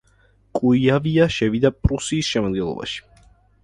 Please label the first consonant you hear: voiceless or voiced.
voiceless